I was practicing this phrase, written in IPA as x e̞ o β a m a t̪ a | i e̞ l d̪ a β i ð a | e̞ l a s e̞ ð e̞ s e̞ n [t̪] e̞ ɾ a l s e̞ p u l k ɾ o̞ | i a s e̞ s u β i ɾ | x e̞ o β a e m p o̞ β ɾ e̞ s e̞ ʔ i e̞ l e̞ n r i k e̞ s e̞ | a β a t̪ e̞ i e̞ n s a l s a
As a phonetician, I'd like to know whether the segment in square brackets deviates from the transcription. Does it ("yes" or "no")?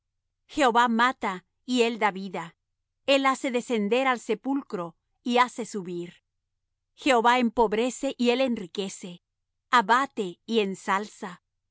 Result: yes